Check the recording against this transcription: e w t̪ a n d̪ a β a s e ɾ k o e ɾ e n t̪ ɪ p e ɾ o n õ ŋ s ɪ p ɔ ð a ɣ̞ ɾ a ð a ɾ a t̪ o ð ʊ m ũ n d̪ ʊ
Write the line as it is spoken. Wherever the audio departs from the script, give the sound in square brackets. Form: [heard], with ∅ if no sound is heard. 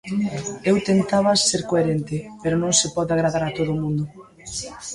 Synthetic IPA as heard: e w t̪ [e] n [t̪] a β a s e ɾ k o e ɾ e n t̪ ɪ p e ɾ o n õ ŋ s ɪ p ɔ ð a ɣ̞ ɾ a ð a ɾ a t̪ o ð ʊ m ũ n d̪ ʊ